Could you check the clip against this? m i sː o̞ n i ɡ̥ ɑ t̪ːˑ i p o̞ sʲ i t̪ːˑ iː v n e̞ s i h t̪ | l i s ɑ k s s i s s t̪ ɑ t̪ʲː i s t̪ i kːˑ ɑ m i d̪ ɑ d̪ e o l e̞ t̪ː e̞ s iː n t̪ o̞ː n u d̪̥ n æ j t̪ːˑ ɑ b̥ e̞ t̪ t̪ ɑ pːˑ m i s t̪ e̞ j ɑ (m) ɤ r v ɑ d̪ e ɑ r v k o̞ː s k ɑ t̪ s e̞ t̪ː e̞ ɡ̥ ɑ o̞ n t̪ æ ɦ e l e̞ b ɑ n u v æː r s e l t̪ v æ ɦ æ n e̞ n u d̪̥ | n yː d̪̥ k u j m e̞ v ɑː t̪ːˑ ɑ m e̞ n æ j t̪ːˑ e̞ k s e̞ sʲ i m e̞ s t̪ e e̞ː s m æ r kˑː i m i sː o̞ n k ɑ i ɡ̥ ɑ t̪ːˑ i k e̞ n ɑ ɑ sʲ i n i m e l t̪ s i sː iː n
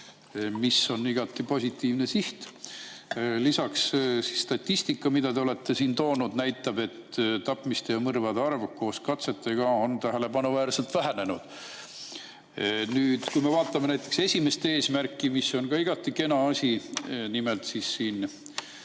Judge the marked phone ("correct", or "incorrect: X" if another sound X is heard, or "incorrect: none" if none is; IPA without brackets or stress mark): correct